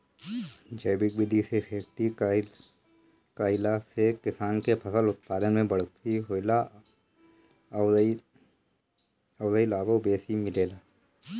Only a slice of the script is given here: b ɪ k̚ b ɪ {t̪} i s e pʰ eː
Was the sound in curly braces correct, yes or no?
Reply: no